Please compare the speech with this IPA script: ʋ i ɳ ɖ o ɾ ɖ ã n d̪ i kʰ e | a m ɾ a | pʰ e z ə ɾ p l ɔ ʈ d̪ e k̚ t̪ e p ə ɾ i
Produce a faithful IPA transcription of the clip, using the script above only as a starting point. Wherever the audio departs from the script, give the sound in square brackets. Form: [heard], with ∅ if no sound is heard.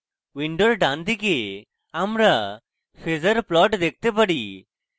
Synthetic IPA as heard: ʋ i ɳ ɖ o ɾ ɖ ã n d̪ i [k] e | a m ɾ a | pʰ e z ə ɾ p l ɔ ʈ d̪ e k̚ t̪ e p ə [ɽ] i